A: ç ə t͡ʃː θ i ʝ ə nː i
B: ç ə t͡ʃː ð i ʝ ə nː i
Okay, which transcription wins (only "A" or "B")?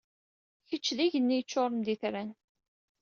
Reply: B